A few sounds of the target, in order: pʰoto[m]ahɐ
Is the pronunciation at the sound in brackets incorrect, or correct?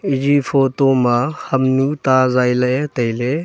correct